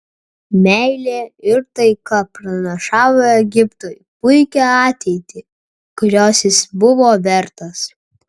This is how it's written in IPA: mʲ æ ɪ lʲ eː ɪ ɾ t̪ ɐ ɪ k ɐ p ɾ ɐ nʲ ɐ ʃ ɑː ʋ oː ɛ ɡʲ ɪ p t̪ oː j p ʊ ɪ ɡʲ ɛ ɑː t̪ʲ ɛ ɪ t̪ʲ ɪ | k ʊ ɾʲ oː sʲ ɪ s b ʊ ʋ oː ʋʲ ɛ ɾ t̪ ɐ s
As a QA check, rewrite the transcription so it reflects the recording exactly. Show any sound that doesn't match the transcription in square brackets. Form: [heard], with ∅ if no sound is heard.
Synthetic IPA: mʲ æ ɪ lʲ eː ɪ ɾ t̪ ɐ ɪ k ɐ p ɾ ɐ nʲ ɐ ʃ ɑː ʋ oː ɛ ɡʲ ɪ p t̪ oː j p ʊ ɪ [kʲ] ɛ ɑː t̪ʲ ɛ ɪ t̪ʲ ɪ | k ʊ ɾʲ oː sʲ ɪ s b ʊ ʋ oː ʋʲ ɛ ɾ t̪ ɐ s